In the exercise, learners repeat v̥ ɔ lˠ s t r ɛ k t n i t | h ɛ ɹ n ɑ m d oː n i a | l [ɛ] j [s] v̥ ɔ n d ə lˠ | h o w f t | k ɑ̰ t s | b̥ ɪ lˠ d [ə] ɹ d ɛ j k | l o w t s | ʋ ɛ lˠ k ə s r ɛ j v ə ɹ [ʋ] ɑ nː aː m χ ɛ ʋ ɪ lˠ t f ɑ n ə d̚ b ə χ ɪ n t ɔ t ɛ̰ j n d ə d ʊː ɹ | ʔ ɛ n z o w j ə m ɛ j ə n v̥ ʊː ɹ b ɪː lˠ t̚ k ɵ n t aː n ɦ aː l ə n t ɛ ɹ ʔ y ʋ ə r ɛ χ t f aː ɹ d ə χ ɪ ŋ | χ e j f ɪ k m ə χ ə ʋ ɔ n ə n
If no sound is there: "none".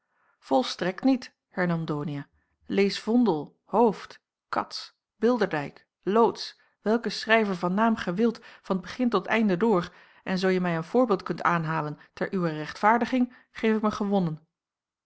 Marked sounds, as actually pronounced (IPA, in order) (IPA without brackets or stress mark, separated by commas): e, s, ə, v